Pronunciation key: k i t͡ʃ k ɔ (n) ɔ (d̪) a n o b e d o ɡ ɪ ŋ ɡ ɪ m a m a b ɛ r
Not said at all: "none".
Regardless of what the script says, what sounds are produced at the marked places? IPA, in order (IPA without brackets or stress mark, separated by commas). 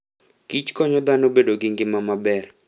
ɲ, d̪